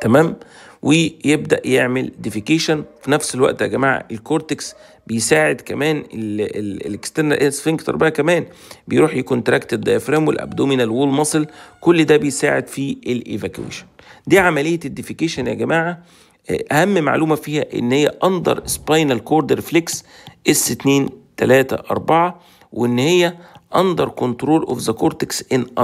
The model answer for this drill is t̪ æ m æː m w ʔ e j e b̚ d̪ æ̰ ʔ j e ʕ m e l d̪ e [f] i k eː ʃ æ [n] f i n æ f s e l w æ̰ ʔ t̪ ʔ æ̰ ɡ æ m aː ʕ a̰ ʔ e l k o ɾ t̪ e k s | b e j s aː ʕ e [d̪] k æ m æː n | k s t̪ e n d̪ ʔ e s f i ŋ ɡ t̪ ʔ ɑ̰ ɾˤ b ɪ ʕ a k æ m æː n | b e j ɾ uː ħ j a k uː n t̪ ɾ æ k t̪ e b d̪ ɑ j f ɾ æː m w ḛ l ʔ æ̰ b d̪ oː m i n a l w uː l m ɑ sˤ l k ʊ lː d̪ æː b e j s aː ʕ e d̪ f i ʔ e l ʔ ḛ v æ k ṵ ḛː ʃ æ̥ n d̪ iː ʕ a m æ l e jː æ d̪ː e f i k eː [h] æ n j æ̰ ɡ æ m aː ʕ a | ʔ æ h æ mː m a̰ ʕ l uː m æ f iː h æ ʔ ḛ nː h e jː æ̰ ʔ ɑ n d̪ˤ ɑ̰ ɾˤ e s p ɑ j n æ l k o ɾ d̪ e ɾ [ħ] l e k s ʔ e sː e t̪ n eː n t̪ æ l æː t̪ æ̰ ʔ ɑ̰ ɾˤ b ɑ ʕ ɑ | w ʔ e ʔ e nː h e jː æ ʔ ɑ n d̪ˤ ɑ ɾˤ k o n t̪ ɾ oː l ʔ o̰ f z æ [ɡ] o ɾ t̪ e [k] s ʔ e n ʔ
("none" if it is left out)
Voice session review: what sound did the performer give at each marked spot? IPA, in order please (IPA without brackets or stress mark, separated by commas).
f, n, d̪, ʃ, f, k, k